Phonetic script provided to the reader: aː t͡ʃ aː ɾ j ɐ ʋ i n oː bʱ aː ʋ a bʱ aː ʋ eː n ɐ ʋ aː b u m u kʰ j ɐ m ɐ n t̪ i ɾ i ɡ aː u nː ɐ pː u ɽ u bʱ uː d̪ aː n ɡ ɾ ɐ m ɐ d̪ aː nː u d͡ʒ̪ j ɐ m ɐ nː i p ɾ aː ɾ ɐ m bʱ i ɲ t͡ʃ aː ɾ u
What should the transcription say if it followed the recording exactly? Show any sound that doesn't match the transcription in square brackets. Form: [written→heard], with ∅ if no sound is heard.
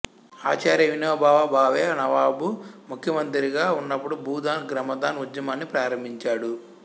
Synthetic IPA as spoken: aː t͡ʃ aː ɾ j ɐ ʋ i n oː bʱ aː ʋ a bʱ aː ʋ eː n ɐ ʋ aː b u m u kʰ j ɐ m ɐ n t̪ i ɾ i ɡ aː u nː ɐ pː u ɽ u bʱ uː d̪ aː n ɡ ɾ ɐ m ɐ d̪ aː [nː→n] u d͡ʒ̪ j ɐ m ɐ nː i p ɾ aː ɾ ɐ m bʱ i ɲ t͡ʃ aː [ɾ→ɽ] u